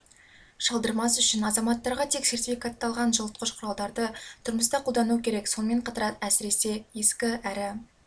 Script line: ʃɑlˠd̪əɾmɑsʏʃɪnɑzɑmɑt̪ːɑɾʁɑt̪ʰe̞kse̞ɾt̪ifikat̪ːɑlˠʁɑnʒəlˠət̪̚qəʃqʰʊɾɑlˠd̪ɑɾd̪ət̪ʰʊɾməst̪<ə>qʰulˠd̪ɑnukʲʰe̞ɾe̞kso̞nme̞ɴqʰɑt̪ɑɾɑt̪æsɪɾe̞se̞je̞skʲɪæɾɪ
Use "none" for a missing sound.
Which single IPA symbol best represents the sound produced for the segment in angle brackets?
ɑ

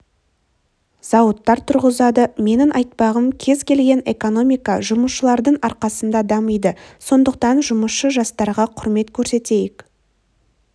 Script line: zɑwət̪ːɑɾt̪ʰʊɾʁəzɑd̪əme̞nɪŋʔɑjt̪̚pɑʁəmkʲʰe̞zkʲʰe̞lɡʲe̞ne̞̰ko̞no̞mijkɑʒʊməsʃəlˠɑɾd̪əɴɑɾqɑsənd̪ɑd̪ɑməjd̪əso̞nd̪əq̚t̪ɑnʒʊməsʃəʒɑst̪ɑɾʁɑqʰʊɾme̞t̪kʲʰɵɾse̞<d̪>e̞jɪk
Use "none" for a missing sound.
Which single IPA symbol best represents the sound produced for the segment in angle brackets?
t̪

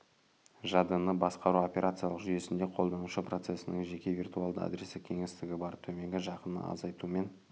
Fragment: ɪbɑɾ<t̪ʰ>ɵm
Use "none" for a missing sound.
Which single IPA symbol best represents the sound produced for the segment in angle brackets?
t̪ʰ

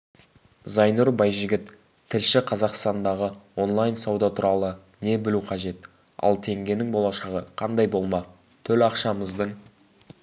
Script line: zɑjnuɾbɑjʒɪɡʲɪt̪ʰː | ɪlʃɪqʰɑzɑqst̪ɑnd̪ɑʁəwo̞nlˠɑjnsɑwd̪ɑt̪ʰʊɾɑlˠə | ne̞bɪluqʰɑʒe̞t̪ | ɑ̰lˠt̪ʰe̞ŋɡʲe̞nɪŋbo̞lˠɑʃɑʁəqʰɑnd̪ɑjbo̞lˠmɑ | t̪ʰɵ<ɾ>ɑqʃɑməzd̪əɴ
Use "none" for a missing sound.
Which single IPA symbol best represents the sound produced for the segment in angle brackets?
l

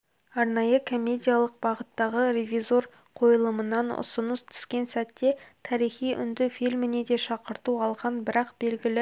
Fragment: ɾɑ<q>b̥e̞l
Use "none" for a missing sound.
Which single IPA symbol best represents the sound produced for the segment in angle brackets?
q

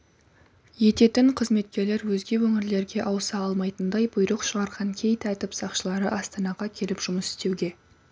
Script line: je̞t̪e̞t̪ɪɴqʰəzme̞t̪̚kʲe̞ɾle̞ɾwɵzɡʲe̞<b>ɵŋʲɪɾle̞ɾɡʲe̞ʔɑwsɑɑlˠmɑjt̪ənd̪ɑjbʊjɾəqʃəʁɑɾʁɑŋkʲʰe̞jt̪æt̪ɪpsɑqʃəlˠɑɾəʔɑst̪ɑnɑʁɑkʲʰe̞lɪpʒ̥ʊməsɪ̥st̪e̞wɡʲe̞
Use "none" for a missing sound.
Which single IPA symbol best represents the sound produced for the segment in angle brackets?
w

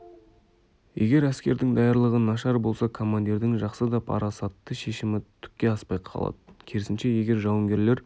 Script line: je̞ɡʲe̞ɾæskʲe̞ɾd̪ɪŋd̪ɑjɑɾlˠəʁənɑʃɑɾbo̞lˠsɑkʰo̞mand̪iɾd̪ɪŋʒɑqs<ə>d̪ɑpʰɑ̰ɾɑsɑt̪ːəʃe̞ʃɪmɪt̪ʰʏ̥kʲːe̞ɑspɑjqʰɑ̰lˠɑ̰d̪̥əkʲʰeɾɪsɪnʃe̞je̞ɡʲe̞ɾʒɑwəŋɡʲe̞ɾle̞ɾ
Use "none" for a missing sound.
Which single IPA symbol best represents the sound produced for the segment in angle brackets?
ə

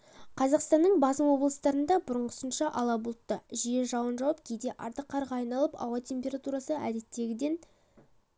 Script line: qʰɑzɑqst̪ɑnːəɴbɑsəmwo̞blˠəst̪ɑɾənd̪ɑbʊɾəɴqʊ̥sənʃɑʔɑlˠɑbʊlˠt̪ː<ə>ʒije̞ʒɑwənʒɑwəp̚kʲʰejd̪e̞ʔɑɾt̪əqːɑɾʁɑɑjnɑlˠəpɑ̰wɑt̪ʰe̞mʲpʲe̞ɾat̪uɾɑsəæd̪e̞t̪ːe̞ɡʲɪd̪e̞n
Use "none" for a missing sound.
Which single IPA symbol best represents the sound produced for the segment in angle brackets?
ə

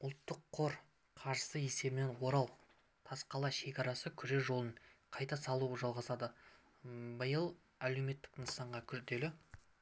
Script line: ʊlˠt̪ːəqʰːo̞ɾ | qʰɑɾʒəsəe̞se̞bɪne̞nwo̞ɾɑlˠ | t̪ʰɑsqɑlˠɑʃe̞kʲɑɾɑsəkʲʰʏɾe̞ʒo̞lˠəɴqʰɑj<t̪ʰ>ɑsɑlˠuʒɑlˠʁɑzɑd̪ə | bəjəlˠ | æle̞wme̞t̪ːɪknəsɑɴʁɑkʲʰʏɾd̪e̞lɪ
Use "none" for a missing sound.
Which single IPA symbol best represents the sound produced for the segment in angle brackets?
t̪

